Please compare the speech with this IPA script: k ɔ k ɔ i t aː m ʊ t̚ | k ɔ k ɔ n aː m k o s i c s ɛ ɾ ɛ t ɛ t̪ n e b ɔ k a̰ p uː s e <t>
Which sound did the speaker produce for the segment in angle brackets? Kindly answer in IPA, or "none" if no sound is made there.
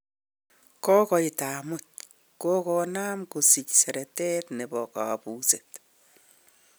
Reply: t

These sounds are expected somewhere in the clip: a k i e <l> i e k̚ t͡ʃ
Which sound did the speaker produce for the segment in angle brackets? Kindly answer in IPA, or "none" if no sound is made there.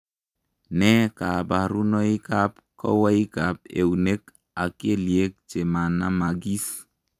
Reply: l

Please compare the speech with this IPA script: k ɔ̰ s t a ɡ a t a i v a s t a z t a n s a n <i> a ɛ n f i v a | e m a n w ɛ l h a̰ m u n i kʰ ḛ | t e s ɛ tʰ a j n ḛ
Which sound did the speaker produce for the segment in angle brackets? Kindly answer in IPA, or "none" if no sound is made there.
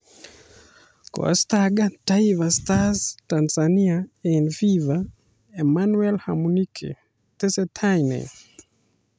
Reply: i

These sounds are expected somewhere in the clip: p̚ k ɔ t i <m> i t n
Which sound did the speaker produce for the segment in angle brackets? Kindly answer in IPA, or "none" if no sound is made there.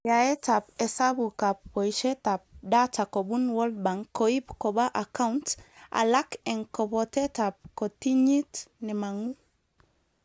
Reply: ɲ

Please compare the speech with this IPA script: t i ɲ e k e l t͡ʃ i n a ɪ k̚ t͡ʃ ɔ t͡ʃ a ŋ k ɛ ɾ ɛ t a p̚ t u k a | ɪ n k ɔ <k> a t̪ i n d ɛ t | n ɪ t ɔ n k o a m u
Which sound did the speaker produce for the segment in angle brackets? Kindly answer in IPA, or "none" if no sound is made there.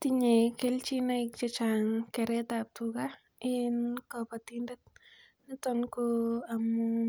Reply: p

